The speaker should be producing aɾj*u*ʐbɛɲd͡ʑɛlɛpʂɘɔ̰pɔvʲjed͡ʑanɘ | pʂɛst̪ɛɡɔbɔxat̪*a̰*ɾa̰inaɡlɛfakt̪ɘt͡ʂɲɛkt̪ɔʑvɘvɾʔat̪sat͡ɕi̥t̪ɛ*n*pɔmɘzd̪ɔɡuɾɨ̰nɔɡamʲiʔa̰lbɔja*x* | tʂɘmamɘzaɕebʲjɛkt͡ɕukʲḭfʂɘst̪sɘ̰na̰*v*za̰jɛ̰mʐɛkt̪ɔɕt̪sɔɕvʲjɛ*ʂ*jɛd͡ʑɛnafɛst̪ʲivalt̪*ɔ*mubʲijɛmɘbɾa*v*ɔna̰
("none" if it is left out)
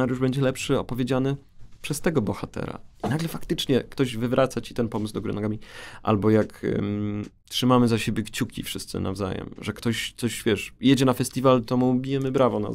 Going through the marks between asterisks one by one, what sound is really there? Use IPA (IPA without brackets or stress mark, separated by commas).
u, ɛ̰, n, k, v, ʂ, ɔ, v